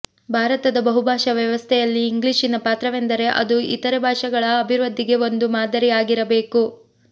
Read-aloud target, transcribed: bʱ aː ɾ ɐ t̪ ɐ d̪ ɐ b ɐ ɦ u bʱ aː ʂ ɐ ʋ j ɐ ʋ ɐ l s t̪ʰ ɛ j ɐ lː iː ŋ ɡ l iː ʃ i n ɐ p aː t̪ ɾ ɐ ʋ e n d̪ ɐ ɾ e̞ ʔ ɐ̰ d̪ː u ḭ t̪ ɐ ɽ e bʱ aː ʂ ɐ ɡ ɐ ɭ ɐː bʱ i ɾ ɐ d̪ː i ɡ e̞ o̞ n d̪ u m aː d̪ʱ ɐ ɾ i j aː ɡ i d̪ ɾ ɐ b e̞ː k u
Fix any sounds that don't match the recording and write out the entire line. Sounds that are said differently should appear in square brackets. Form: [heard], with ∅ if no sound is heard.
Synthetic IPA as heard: bʱ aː ɾ ɐ t̪ ɐ d̪ ɐ b ɐ ɦ u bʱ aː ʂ ɐ ʋ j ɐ ʋ ɐ [∅] s t̪ʰ ɛ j ɐ lː iː ŋ ɡ l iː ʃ i n ɐ p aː t̪ ɾ ɐ ʋ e n d̪ ɐ ɾ e̞ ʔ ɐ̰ [d̪] u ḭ t̪ ɐ [ɾ] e bʱ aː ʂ ɐ ɡ ɐ ɭ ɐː bʱ i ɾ ɐ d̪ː i ɡ e̞ o̞ n d̪ u m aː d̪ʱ ɐ ɾ i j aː ɡ i [∅] ɾ ɐ b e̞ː k u